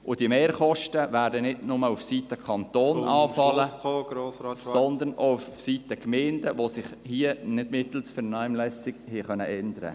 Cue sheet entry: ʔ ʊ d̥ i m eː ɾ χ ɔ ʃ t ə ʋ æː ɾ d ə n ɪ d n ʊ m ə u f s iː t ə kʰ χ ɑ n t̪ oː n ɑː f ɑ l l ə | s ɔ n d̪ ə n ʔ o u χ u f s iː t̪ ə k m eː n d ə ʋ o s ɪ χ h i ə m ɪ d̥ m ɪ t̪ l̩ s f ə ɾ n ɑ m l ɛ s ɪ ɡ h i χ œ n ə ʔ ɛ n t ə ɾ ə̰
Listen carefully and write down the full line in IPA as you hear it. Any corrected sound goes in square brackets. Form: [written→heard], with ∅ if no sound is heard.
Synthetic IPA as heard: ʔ ʊ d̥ i m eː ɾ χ ɔ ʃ t ə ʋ æː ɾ d ə n ɪ d n ʊ m ə u f s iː t ə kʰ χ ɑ n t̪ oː n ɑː f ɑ l l ə | s ɔ n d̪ ə n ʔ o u [χ→f] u f s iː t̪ ə k m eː n d ə ʋ o s ɪ χ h i ə [m→n] ɪ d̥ m ɪ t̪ l̩ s f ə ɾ n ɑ m l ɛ s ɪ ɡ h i χ œ n ə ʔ ɛ n [t→d] ə ɾ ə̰